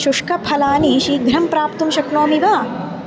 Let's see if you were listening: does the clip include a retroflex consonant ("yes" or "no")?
yes